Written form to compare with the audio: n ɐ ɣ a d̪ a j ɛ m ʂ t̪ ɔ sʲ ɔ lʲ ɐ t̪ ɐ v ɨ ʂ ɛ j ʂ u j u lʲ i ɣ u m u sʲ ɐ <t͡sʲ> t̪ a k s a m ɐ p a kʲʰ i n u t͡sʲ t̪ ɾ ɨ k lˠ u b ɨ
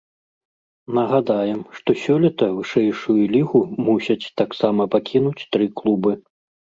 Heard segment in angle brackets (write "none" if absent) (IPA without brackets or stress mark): t͡sʲ